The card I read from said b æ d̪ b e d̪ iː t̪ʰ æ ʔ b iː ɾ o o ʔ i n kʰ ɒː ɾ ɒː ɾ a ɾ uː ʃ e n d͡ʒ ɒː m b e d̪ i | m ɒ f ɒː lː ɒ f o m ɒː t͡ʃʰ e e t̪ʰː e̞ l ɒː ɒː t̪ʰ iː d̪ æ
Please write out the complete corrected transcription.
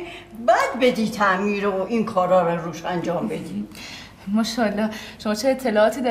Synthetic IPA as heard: b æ d̪ b e d̪ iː t̪ʰ æ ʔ m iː ɾ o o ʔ i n kʰ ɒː ɾ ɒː ɾ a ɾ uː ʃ æ n d͡ʒ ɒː m b e d̪ i | m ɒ ʃ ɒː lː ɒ ʃ o m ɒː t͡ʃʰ e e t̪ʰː e̞ l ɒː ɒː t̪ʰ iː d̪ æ